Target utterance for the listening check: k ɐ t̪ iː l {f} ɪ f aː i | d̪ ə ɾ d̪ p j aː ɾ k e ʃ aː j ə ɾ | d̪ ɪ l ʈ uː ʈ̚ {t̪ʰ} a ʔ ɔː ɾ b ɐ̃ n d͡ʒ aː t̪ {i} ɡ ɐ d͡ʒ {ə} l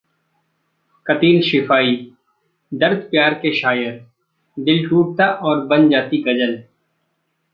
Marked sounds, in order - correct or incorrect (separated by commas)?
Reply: incorrect, incorrect, correct, correct